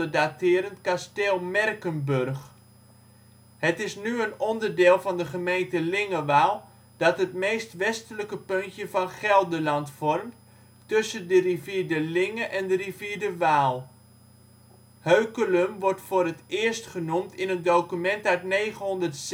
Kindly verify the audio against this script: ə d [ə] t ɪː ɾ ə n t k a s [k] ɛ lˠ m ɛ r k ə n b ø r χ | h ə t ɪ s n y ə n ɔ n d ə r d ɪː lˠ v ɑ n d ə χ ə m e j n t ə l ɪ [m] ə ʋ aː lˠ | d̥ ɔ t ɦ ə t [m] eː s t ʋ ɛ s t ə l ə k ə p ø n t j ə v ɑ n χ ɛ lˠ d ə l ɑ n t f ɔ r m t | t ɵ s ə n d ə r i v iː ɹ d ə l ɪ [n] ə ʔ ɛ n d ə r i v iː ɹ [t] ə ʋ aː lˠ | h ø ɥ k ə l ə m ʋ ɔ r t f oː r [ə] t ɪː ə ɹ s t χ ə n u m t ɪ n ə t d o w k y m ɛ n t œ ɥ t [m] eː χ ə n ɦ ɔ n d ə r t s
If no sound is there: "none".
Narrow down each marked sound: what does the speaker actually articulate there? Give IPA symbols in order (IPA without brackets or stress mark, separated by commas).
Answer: a, t, ŋ, m, ŋ, d, ə, n